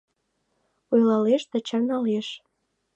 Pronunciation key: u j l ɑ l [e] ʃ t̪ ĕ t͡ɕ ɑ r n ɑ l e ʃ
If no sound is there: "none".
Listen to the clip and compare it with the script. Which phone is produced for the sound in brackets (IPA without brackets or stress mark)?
e